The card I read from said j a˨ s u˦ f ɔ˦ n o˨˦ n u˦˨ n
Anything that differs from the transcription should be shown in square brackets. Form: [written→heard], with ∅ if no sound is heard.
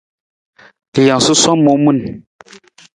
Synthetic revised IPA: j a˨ s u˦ [f→s] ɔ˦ [n→m] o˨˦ [n→m] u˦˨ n